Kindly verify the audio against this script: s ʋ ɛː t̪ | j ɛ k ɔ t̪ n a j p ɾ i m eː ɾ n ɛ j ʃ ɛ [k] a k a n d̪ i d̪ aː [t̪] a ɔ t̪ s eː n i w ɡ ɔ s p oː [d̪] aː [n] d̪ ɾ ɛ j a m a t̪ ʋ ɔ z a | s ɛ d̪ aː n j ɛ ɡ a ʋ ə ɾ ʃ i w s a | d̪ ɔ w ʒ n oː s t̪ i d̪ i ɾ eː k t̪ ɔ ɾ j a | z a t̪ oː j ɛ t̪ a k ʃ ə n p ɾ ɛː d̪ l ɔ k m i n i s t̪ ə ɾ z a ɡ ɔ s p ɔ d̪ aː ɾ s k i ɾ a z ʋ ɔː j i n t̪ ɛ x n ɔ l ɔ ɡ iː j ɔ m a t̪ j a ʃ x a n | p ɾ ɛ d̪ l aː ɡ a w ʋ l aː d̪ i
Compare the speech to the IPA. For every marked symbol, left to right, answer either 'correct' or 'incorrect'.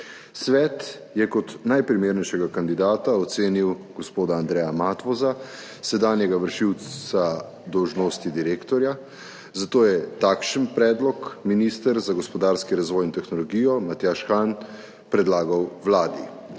incorrect, correct, correct, correct

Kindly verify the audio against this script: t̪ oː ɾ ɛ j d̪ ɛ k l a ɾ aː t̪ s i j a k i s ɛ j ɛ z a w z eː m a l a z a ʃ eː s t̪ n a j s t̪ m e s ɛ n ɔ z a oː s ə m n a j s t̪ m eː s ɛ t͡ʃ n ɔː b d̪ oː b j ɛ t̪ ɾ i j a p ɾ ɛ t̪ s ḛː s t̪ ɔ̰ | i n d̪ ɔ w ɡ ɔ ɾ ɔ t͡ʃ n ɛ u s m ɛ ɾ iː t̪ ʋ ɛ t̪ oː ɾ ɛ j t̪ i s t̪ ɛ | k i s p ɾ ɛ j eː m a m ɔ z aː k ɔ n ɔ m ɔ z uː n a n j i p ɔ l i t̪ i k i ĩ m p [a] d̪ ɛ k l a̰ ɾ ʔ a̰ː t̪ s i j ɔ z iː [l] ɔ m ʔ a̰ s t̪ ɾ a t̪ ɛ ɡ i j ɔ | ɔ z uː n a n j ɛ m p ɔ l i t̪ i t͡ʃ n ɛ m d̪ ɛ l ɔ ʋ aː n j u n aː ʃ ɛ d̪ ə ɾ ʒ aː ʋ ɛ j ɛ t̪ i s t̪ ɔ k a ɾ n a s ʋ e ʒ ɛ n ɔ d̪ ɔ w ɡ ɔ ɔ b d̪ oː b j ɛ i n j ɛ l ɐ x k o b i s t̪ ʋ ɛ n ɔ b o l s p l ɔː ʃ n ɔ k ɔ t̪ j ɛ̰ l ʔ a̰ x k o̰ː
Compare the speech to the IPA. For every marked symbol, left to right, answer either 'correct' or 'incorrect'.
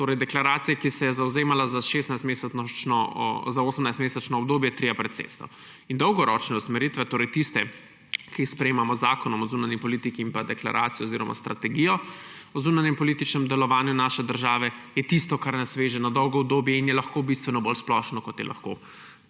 correct, incorrect

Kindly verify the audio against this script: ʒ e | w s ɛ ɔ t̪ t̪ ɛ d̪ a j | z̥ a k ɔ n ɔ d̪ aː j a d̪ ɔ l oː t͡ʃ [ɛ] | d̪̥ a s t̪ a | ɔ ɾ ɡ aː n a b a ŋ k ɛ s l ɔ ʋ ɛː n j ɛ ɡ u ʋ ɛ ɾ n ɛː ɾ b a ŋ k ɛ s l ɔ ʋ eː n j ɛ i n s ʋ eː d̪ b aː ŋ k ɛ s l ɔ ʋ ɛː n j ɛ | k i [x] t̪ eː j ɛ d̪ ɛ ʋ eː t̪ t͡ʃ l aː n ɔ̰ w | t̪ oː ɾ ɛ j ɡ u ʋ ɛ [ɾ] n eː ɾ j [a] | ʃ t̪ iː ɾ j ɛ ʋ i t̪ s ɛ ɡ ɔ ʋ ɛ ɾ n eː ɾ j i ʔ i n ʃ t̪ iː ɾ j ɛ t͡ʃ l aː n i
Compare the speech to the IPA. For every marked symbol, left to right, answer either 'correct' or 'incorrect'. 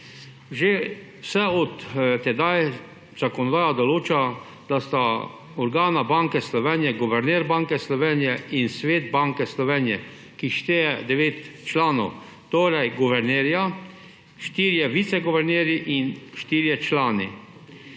incorrect, incorrect, correct, correct

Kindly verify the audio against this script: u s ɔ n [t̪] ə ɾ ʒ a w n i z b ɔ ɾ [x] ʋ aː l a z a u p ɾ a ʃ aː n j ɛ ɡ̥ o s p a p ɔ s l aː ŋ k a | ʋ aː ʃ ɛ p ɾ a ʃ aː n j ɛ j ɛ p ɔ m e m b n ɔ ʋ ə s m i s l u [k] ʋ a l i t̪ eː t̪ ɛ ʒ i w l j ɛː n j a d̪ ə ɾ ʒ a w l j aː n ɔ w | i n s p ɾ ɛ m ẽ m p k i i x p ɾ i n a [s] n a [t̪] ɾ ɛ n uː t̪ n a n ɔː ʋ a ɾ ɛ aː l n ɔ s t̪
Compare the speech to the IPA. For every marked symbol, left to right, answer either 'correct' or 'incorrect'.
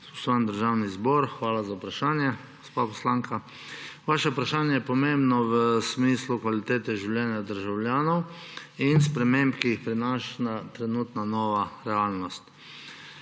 incorrect, correct, correct, incorrect, correct

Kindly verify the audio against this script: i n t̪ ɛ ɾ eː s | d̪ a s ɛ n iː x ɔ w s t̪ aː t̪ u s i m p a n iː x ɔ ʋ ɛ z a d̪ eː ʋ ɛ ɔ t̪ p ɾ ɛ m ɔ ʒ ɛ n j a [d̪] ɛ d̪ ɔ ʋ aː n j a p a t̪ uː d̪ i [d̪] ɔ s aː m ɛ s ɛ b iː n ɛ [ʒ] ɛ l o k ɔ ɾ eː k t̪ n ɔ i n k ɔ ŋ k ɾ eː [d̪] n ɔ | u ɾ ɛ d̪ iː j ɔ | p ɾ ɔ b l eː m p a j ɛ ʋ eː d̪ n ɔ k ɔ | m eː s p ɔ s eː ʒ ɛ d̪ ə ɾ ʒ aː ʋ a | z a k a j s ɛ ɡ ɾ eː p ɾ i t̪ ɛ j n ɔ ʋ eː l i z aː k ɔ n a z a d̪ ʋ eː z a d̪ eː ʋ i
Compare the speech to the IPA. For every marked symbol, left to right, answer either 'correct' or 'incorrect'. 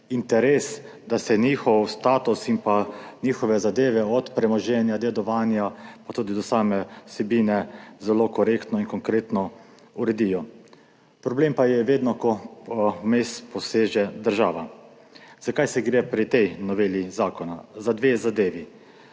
correct, correct, incorrect, incorrect

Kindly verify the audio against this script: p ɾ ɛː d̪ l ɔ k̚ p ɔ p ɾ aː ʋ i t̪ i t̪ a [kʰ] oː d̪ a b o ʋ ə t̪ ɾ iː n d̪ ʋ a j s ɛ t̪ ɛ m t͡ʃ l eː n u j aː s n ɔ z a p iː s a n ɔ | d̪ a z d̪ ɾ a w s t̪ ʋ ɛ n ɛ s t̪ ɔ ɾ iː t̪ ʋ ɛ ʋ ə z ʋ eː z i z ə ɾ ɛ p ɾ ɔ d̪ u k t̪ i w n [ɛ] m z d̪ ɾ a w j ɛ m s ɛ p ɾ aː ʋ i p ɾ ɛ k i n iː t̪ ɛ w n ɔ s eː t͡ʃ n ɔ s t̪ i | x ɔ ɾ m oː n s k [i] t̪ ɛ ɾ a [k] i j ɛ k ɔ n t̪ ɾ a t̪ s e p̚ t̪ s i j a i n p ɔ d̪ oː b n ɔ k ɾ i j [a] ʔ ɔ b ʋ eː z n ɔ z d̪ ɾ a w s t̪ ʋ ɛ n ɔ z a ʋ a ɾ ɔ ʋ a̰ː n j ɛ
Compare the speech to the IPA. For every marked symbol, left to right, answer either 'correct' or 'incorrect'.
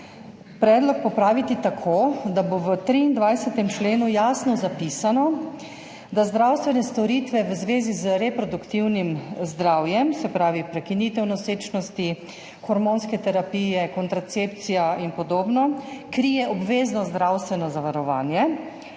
correct, incorrect, incorrect, incorrect, incorrect

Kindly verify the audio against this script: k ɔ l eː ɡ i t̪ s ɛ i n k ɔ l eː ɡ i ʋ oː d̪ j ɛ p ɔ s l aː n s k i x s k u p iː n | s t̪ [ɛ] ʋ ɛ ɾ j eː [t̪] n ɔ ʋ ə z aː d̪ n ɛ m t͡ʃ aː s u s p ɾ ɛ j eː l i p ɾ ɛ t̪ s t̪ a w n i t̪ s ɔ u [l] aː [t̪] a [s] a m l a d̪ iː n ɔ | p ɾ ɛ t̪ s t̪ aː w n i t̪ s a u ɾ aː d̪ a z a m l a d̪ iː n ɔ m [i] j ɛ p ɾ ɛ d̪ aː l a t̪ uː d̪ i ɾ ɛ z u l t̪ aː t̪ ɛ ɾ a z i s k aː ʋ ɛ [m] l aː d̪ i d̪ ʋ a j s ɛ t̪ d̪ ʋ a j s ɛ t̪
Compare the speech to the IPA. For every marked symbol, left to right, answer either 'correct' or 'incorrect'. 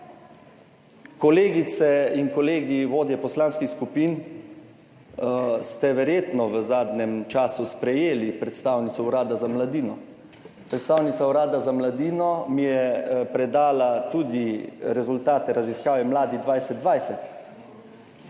correct, correct, incorrect, incorrect, incorrect, correct, correct

